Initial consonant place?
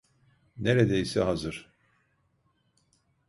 alveolar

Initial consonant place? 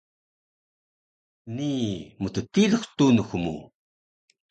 alveolar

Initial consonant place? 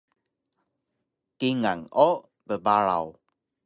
velar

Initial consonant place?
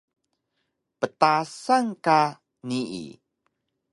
labial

